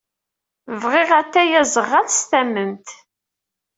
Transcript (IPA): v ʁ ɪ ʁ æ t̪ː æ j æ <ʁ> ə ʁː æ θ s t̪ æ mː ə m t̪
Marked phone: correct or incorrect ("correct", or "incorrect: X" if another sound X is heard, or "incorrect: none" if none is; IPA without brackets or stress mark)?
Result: incorrect: z